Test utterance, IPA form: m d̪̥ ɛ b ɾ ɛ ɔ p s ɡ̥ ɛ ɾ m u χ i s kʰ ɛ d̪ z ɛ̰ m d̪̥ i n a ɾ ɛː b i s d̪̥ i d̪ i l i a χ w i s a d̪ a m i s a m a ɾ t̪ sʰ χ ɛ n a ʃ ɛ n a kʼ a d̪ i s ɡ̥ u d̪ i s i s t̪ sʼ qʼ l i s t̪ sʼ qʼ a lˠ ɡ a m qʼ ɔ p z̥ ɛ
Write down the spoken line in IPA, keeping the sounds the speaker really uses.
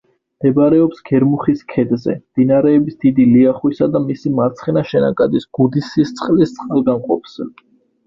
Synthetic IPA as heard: m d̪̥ ɛ b ɾ ɛ ɔ p s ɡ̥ ɛ ɾ m u χ i s kʰ ɛ d̪ z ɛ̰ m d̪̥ i n a ɾ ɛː b i s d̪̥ i d̪ i l i a χ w i s a d̪ a m i s i m a ɾ t̪ sʰ χ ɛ n a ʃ ɛ n a kʼ a d̪ i s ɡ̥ u d̪ i s i s t̪ sʼ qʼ l i s t̪ sʼ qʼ a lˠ ɡ a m qʼ ɔ p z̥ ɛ